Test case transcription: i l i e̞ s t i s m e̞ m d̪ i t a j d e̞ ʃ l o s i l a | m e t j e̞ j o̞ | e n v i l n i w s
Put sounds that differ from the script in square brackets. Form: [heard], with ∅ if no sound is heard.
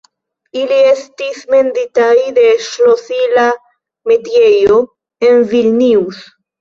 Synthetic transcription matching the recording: i l i e̞ s t i s m e̞ [n] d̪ i t a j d e̞ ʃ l o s i l a | m e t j e̞ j o̞ | e n v i l n i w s